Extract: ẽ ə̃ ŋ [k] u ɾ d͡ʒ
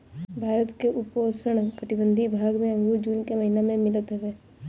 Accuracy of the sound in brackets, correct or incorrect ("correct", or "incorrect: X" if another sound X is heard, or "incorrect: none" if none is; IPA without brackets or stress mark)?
incorrect: ɡ